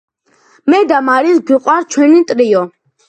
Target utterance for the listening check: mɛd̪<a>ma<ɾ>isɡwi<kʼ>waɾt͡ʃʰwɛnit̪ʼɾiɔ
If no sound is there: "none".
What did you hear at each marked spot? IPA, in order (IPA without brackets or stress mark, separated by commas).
a, ɾ, qʼ